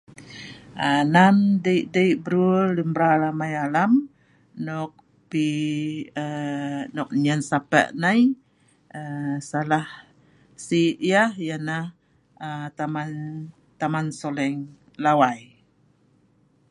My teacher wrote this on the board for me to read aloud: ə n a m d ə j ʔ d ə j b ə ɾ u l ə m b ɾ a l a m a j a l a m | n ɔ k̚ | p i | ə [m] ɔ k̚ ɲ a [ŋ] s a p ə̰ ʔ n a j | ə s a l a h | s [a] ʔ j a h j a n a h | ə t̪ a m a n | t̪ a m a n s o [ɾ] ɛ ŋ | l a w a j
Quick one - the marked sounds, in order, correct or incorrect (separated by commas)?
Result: incorrect, incorrect, incorrect, incorrect